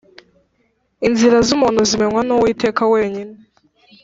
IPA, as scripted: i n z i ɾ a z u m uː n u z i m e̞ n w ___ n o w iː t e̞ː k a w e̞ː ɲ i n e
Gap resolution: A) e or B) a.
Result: B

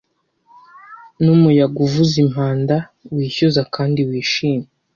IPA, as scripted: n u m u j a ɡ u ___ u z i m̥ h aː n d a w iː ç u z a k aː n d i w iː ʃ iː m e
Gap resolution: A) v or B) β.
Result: A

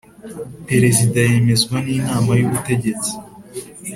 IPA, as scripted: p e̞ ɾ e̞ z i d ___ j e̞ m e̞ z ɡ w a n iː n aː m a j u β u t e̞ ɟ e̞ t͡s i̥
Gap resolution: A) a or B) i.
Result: A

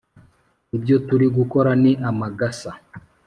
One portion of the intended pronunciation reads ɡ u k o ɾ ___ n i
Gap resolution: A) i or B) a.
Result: B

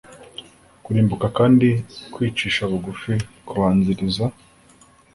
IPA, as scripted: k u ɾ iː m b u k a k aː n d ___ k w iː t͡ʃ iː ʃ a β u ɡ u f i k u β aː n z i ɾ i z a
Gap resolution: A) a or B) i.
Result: B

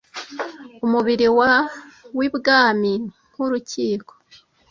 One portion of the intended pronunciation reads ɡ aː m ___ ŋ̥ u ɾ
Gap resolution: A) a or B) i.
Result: B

